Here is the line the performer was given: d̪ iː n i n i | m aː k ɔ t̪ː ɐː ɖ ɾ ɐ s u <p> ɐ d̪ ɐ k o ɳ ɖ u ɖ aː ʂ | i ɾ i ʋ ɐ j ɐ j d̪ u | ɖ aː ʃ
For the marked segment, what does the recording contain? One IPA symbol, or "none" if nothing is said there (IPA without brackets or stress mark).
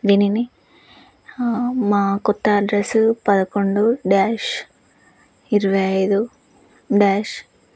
p